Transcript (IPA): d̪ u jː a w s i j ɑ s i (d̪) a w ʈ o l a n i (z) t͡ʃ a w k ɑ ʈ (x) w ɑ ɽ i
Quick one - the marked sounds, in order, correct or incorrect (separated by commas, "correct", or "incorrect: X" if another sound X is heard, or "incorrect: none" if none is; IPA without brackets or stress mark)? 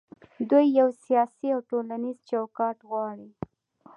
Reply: incorrect: none, correct, incorrect: ɣ